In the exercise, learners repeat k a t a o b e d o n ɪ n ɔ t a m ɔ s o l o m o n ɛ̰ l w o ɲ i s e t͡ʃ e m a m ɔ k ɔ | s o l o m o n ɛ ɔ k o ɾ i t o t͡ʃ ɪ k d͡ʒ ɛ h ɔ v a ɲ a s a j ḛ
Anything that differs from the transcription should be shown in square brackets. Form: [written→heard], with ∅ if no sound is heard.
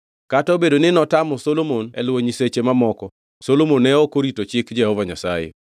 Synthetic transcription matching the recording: k a t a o b e d o n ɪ n ɔ t a m ɔ s o l o m o n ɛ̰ l w o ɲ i s e t͡ʃ e m a m ɔ k ɔ | s o l o m o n ɛ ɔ k o ɾ i t o t͡ʃ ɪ k d͡ʒ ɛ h ɔ v a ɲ a s a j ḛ

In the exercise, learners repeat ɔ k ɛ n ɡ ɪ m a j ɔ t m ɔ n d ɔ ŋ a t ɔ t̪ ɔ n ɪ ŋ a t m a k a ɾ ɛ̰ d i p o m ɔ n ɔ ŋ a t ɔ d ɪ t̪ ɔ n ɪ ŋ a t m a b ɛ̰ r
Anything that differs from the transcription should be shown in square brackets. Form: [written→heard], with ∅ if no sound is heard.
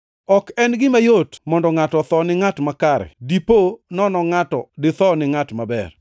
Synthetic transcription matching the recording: ɔ k ɛ n ɡ ɪ m a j [ɔ→o] t m ɔ n d ɔ ŋ a t ɔ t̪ ɔ n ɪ ŋ a t m a k a ɾ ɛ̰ d i p o [m→n] ɔ n ɔ ŋ a t ɔ d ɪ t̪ ɔ n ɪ ŋ a t m a b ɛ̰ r

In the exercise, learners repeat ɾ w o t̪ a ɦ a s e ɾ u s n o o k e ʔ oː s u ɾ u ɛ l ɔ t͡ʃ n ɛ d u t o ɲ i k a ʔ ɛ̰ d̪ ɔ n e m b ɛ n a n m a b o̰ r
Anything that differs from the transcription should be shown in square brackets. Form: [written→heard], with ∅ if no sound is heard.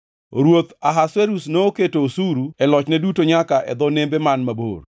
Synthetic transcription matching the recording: ɾ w o t̪ a ɦ a s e ɾ u s n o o k e [ʔ→t] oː s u ɾ u ɛ l ɔ t͡ʃ n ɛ d u t o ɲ [i→a] k a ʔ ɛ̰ d̪ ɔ n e m b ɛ [n→m] a n m a b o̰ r

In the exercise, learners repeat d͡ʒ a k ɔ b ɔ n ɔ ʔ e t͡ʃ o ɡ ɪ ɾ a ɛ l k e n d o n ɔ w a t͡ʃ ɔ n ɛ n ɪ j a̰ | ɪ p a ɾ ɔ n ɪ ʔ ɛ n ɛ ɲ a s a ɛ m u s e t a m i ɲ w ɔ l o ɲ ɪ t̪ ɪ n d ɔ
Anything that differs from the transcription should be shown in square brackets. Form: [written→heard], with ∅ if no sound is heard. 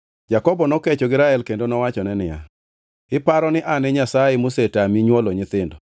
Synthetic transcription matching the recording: d͡ʒ a k ɔ b ɔ n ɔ [ʔ→k] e t͡ʃ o ɡ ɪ ɾ a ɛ l k e n d o n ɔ w a t͡ʃ ɔ n ɛ n ɪ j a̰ | ɪ p a ɾ ɔ n ɪ ʔ [ɛ→a] n ɛ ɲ a s a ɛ m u s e t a m i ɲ w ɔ l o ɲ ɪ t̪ ɪ n d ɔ

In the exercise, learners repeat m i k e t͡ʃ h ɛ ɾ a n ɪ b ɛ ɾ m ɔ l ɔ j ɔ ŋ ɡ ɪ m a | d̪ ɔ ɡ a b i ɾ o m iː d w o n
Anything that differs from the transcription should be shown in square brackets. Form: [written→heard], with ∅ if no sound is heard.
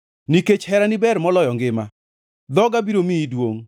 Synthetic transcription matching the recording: [m→n] i k e t͡ʃ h ɛ ɾ a n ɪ b ɛ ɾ m ɔ l ɔ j ɔ ŋ ɡ ɪ m a | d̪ ɔ ɡ a b i ɾ o m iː d w o [n→ŋ]

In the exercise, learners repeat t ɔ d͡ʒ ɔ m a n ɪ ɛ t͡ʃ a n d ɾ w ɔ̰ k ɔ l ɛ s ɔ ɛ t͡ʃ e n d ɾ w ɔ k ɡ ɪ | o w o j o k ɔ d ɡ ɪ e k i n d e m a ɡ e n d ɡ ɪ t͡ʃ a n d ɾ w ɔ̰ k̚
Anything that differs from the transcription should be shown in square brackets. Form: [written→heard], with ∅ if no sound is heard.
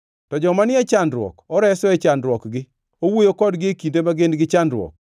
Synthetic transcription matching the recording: t ɔ d͡ʒ ɔ m a n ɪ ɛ t͡ʃ a n d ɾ w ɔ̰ k ɔ [l→ɾ] ɛ s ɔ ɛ t͡ʃ [e→a] n d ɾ w ɔ k ɡ ɪ | o w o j o k ɔ d ɡ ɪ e k i n d e m a ɡ e n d ɡ ɪ t͡ʃ a n d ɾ w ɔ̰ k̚

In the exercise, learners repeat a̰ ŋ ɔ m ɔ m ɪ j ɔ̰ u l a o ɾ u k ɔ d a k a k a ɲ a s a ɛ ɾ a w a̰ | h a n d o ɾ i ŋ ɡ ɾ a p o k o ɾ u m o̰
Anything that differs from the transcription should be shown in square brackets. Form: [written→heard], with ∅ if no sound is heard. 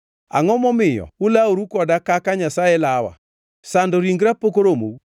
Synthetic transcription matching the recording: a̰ ŋ ɔ m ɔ m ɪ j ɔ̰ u l a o ɾ u k ɔ d a k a k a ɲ a s a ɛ [ɾ→l] a w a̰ | [h→s] a n d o ɾ i ŋ ɡ ɾ a p o k o ɾ [u→o] m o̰

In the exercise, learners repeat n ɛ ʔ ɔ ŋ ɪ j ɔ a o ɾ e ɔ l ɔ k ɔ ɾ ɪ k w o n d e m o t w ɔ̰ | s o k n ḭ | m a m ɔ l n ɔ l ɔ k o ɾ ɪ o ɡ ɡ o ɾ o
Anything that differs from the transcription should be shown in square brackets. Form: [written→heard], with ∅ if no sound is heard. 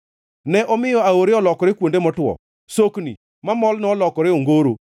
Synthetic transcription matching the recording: n ɛ ʔ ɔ [ŋ→m] ɪ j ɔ a o ɾ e ɔ l ɔ k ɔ ɾ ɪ k w o n d e m [o→ɔ] t w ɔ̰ | s o k n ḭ | m a m ɔ l n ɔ l ɔ k [o→ɔ] ɾ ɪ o [ɡ→ŋ] ɡ o ɾ o

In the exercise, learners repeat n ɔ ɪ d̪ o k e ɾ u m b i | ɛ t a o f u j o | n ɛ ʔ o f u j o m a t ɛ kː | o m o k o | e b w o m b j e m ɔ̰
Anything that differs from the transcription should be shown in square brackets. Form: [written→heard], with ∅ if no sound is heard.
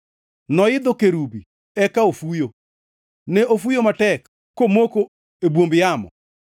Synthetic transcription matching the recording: n ɔ ɪ d̪ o k e ɾ u [m→∅] b i | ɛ [t→k] a o f u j o | n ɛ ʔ o f u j o m a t ɛ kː | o m o k o | e b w o m b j [e→a] m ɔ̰

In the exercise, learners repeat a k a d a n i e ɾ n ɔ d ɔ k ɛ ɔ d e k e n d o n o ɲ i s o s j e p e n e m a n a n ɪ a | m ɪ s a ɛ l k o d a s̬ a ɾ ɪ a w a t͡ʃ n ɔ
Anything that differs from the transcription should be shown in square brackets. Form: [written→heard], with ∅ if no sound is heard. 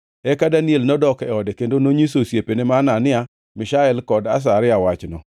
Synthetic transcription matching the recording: [a→ɛ] k a d a n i e [ɾ→l] n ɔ d ɔ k ɛ ɔ d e k e n d o n o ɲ i s o s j e p e n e m a n a n ɪ a | m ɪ [s→ʃ] a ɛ l k [o→ɔ] d a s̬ a ɾ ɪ a w a t͡ʃ n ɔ

